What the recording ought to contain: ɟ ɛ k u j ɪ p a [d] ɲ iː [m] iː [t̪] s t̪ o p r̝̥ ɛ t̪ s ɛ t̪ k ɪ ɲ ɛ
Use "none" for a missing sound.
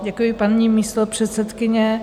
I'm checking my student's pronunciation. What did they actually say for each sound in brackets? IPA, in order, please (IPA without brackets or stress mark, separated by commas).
n, m, none